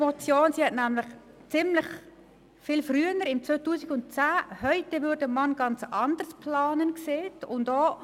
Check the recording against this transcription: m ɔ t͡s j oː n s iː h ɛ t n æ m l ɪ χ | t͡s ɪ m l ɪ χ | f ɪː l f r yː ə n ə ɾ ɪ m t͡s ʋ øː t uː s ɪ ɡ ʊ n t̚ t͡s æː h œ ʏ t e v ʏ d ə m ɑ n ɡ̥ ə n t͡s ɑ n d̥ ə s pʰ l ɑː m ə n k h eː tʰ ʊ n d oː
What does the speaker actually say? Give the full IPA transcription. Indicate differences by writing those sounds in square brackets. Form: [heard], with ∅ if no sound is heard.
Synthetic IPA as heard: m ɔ t͡s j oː n s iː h ɛ t n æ m l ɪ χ | t͡s ɪ m l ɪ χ | f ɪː l f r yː ə n ə ɾ ɪ m t͡s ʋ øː t uː s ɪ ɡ ʊ n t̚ t͡s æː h œ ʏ t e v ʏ d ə m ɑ n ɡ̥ [ɑ] n t͡s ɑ n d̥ ə s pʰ l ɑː [n] ə n k [s] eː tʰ ʊ n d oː

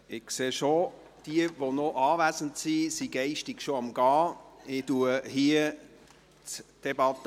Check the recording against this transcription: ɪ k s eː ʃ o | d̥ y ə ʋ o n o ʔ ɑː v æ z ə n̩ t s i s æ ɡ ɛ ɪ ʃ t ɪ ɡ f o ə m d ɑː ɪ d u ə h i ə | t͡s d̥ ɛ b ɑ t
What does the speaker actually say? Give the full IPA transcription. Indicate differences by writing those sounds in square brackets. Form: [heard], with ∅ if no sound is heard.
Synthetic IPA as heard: ɪ k s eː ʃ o | d̥ [i] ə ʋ o n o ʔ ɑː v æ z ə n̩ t s i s [i] ɡ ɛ ɪ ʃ t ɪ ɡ [ʃ] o [ɑ] m [ɡ] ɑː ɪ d u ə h i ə | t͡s d̥ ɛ b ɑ t

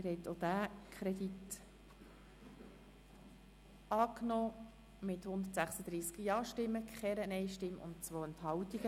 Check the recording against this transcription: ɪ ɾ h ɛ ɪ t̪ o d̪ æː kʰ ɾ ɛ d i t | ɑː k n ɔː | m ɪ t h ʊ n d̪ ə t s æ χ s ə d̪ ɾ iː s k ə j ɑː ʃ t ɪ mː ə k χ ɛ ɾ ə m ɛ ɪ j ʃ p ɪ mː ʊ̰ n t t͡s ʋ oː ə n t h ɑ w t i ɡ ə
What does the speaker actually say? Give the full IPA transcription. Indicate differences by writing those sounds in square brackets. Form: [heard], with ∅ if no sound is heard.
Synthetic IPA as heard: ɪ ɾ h ɛ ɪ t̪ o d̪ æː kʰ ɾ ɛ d i t | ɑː k n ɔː | m ɪ t h ʊ n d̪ ə t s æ χ s ə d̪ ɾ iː s k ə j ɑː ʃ t ɪ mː ə k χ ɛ ɾ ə [n] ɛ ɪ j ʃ [t] ɪ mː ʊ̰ n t t͡s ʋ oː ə n t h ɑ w t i ɡ ə

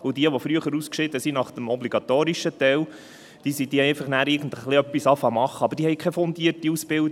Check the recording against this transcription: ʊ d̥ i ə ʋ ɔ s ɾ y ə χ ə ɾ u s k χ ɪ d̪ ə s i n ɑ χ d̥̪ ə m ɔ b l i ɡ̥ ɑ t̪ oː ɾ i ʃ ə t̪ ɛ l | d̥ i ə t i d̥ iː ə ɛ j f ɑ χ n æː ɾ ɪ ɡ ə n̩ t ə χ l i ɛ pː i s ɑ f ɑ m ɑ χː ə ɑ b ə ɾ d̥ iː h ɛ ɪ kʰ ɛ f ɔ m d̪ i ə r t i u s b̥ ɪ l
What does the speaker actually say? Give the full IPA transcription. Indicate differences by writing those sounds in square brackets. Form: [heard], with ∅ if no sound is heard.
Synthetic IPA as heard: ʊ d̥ i ə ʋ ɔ [f] ɾ y ə χ ə ɾ u s k [ʃ] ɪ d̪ ə s i n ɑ χ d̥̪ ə m ɔ b l i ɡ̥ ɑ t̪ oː ɾ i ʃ ə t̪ ɛ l | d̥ i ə [s] i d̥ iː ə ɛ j f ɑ χ n æː ɾ ɪ ɡ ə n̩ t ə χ l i [œ] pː i s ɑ f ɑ m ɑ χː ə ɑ b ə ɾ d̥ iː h ɛ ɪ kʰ ɛ f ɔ [n] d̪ i ə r t i u s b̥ ɪ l

